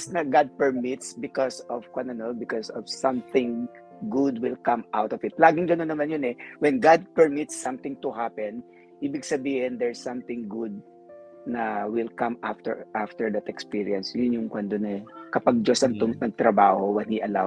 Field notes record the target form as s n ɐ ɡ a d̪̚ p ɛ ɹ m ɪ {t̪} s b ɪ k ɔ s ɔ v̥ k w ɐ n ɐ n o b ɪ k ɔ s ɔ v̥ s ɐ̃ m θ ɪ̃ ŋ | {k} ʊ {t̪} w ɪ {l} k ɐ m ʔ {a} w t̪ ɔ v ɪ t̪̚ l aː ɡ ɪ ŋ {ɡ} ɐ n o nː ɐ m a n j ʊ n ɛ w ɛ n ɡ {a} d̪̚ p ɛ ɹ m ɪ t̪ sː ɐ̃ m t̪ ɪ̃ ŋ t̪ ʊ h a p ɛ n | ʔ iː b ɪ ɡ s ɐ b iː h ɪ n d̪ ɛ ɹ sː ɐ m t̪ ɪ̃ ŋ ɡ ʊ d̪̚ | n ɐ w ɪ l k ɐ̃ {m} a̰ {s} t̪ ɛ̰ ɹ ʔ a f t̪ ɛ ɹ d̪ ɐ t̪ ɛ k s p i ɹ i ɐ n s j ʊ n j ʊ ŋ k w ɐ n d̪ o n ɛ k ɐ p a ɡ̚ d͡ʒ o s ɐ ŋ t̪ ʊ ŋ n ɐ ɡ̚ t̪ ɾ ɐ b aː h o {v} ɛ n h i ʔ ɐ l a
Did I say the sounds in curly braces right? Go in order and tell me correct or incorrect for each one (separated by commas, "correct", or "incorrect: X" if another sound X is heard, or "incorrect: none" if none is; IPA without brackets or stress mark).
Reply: correct, incorrect: ɡ, incorrect: d̪, correct, correct, correct, correct, correct, incorrect: f, incorrect: w